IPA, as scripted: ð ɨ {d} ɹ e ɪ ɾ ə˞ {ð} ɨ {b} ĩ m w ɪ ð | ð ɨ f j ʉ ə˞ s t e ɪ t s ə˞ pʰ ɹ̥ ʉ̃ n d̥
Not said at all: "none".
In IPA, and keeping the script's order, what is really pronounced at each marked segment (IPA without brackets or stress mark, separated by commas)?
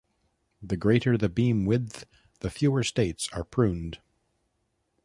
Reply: ɡ, ð, b